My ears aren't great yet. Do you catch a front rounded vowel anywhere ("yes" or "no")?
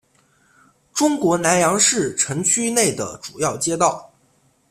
yes